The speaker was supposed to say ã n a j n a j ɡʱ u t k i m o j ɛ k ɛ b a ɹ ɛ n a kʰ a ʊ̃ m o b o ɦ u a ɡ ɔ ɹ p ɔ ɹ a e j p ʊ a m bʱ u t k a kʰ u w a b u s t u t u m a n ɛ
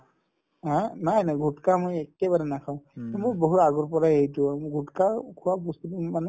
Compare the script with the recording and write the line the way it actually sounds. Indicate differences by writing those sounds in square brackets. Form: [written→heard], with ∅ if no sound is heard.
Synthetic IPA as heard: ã n a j n a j ɡʱ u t k [i→a] m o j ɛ k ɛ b a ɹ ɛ n a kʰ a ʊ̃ m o b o ɦ u a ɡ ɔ ɹ p ɔ ɹ a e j [p→t] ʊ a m [bʱ→ɡʱ] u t k a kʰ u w a b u s t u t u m a n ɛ